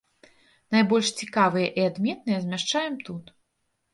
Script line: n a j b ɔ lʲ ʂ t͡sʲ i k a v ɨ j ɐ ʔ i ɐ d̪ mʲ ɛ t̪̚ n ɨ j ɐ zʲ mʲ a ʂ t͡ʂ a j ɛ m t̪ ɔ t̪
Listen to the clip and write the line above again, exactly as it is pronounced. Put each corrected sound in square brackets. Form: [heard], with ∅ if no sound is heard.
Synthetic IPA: n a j b ɔ lʲ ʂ t͡sʲ i k a v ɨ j ɐ ʔ i [a] d̪ mʲ ɛ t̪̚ n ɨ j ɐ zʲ mʲ a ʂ t͡ʂ a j ɛ m t̪ [u] t̪